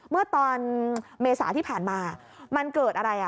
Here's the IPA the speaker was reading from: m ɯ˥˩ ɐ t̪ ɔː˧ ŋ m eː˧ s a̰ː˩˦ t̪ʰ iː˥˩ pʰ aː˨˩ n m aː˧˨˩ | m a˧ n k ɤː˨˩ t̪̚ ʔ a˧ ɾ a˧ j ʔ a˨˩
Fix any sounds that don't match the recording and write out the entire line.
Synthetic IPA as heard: m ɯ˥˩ ɐ t̪ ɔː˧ n m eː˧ s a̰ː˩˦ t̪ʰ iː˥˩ pʰ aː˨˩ n m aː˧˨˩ | m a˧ n k ɤː˨˩ t̪̚ ʔ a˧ ɾ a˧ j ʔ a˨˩